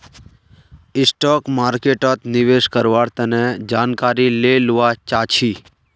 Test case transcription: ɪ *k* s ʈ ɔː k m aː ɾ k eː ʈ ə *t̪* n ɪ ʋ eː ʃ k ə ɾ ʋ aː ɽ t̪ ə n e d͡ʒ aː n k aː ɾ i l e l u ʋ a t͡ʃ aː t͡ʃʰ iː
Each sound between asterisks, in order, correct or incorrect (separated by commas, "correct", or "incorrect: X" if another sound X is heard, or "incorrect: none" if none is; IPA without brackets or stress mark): incorrect: none, correct